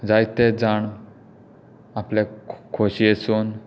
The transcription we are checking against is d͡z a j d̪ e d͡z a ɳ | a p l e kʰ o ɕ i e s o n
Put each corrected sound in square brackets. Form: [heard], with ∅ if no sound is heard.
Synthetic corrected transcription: d͡z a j [t̪] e d͡z a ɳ | a p l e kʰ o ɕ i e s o n